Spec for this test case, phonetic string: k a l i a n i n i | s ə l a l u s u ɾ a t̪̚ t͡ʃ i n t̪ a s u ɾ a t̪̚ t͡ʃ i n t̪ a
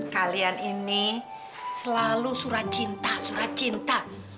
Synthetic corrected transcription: k a l i a n i n i | s ə l a l u s u ɾ a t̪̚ t͡ʃ i n t̪ a s u ɾ a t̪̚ t͡ʃ i n t̪ a